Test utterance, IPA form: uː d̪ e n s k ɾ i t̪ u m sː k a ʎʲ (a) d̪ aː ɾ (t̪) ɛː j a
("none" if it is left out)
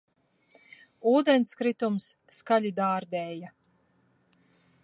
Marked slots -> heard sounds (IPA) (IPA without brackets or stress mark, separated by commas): i, d̪